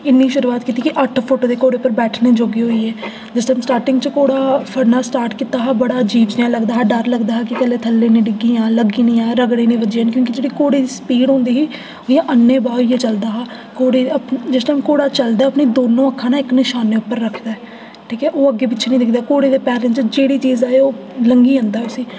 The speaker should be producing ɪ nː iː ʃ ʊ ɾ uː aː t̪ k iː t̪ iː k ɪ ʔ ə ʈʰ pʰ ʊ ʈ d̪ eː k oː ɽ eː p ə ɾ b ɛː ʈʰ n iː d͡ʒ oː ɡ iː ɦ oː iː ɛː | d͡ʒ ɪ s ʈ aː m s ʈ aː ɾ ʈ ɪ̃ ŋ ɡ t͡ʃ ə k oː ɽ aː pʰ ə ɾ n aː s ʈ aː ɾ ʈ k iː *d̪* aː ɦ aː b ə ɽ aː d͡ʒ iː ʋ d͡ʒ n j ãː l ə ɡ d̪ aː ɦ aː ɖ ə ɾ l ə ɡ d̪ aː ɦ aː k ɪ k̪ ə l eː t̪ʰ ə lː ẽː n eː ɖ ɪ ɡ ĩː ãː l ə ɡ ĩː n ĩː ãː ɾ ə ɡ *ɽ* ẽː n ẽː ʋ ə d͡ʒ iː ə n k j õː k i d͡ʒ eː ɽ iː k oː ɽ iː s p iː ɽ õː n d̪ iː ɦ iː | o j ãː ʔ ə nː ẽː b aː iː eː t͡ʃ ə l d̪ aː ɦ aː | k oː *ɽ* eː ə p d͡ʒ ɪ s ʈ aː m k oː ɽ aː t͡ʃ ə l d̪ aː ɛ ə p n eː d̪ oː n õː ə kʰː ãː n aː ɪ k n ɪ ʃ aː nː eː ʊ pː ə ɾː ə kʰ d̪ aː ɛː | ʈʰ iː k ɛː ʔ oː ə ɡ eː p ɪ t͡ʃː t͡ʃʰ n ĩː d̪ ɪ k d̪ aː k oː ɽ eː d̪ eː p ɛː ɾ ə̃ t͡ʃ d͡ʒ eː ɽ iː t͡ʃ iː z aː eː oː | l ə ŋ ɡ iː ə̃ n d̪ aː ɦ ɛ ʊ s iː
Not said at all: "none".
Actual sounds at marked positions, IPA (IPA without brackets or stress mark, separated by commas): t̪, ɽ, ɽ